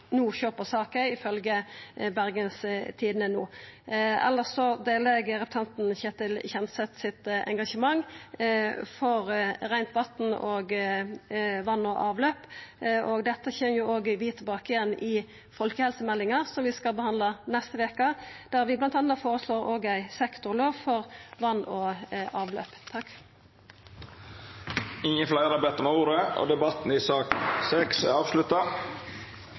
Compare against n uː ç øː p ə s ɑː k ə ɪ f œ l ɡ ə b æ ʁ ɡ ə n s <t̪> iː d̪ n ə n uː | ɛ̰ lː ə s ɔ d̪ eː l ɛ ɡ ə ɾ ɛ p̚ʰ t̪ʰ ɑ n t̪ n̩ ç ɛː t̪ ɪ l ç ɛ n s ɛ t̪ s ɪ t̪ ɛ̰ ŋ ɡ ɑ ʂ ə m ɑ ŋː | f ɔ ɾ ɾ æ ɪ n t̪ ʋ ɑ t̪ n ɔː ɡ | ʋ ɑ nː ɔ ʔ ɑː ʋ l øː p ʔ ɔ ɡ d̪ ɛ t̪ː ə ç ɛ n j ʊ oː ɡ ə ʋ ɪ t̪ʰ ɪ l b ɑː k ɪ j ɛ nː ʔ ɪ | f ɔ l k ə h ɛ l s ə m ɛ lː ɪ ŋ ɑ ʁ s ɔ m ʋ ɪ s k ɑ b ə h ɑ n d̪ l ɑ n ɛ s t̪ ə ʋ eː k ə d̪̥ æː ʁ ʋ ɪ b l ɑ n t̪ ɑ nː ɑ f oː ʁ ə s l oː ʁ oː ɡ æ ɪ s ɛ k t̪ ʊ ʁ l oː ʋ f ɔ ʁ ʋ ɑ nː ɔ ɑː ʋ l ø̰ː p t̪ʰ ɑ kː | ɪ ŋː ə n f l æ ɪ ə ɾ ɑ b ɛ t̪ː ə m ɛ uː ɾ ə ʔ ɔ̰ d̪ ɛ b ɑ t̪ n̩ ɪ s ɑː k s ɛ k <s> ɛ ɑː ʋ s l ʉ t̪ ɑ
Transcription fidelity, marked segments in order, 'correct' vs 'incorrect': incorrect: t̪ʰ, correct

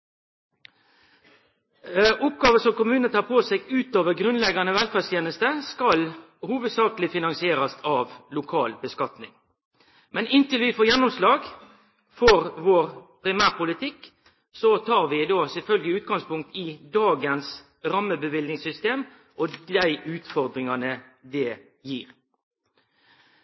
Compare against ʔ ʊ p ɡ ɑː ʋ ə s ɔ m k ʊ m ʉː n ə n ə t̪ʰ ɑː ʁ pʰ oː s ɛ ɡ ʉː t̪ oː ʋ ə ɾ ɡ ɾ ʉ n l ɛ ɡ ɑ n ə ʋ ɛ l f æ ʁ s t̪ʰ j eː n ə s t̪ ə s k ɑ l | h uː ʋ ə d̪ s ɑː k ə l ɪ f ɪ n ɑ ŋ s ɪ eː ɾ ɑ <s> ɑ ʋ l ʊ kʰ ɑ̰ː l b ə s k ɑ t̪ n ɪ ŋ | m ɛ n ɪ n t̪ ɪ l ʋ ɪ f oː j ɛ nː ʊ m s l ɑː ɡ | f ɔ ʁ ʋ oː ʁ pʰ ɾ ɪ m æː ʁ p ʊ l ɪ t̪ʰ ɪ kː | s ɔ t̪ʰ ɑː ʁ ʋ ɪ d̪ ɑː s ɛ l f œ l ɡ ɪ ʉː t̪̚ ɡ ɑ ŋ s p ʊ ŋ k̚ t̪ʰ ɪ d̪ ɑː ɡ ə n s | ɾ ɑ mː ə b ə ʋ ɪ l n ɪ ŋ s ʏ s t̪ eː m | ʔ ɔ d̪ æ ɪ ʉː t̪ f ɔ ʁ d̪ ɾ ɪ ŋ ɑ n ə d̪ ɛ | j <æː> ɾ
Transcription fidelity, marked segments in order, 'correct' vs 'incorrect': correct, incorrect: iː

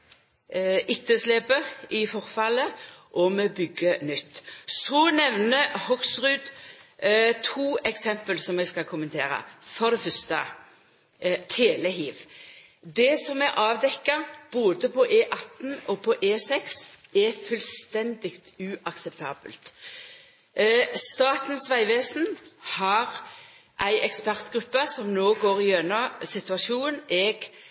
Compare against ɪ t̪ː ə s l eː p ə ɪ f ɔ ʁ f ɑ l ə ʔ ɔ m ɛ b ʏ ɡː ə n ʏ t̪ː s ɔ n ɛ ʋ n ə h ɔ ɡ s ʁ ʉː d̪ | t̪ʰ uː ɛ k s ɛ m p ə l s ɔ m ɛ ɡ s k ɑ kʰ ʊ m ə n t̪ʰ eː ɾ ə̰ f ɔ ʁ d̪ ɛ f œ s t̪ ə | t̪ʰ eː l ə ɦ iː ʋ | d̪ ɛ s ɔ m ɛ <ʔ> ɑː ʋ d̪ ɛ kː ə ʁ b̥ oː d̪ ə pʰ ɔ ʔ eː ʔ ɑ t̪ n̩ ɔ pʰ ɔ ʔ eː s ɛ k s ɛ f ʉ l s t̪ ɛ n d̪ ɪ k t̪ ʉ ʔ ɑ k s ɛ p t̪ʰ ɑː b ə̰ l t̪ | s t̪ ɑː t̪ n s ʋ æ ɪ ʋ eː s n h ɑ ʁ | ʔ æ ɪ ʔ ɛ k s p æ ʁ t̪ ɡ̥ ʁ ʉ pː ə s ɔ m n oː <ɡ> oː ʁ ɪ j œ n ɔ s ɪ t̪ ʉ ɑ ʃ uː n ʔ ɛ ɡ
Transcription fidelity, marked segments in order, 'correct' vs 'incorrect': correct, correct

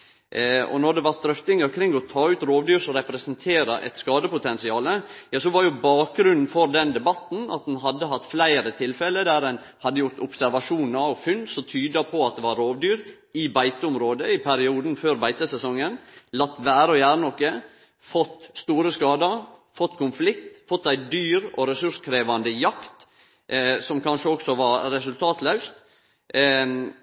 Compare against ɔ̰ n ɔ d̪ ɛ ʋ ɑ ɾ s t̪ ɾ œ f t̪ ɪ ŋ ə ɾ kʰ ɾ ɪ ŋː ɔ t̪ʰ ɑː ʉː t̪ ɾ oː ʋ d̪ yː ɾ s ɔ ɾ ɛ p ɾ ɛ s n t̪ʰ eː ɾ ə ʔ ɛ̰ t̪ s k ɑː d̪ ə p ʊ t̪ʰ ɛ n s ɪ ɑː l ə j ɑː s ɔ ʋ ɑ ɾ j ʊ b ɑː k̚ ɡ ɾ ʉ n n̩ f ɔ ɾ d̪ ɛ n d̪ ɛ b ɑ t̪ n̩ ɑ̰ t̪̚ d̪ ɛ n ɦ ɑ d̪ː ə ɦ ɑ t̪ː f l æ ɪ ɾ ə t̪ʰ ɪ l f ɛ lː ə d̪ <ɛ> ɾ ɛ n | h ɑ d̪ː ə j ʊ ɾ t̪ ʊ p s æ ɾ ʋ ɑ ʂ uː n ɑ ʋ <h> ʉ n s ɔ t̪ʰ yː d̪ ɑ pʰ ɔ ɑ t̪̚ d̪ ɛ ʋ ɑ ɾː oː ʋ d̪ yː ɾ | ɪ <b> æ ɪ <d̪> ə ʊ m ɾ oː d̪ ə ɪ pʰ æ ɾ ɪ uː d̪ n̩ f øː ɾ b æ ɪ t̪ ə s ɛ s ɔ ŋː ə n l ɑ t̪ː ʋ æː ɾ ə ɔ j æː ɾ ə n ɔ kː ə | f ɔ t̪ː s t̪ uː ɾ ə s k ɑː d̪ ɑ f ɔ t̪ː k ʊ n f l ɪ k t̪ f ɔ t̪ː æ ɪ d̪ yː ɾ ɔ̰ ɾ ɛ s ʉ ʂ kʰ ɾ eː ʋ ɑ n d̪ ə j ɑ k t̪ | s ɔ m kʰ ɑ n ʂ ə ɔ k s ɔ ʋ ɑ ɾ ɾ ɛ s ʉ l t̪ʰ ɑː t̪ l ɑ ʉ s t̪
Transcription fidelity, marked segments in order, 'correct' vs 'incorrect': incorrect: æ, incorrect: f, correct, incorrect: t̪

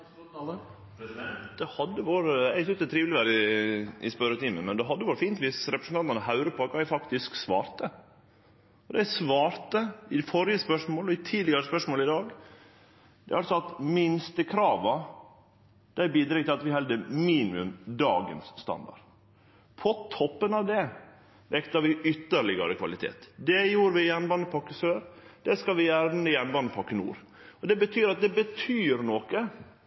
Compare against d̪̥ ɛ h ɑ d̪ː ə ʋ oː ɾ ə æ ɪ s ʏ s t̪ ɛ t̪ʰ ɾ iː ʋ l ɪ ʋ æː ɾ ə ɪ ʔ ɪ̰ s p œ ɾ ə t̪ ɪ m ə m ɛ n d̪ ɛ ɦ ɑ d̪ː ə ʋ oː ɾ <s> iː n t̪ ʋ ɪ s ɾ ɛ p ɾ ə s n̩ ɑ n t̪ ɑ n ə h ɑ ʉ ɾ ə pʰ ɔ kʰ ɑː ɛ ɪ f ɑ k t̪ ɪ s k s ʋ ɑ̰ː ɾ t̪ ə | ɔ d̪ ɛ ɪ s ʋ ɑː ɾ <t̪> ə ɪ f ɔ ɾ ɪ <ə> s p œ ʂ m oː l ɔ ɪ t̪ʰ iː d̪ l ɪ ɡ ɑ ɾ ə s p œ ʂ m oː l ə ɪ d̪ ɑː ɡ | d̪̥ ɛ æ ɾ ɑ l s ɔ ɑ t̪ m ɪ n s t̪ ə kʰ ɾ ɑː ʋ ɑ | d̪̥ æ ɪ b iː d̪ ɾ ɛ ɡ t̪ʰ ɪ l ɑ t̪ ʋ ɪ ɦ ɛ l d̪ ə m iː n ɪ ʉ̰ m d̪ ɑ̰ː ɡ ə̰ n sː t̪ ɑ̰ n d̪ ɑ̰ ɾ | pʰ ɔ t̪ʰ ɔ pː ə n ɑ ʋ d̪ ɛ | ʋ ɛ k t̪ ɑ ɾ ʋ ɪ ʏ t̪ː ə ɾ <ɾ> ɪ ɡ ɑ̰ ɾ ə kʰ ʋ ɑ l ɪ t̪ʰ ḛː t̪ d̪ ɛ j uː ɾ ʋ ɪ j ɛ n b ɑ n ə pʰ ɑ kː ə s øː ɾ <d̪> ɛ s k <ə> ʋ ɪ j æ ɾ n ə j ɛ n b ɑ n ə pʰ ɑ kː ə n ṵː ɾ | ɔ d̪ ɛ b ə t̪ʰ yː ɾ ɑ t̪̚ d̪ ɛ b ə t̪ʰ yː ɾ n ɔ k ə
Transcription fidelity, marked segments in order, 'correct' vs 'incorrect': incorrect: f, correct, correct, incorrect: ɭ, correct, incorrect: ɑ

